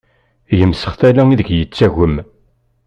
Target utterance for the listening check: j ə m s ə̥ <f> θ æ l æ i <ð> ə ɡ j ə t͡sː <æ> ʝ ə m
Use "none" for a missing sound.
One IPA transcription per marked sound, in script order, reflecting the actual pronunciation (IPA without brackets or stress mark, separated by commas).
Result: χ, ð, æ